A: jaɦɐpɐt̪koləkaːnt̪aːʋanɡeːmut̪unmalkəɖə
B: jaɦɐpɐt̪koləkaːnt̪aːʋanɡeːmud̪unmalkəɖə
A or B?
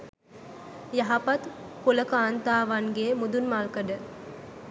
B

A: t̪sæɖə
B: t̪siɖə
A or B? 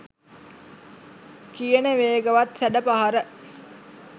A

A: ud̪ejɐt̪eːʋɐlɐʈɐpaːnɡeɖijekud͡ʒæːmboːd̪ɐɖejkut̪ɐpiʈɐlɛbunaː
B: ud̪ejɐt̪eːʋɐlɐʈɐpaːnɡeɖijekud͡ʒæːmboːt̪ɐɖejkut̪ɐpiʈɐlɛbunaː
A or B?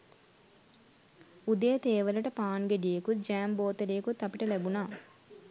B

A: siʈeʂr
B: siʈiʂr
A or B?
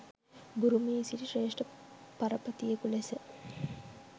B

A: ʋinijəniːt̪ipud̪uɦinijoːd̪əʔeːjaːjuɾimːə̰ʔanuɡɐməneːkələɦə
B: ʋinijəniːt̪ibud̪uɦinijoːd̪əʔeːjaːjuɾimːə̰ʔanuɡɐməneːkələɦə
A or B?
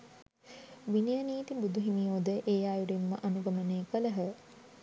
B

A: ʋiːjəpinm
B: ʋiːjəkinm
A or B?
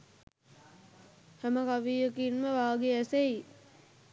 B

